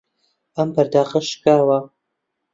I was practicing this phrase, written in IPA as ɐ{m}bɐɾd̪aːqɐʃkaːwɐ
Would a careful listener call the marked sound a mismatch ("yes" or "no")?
no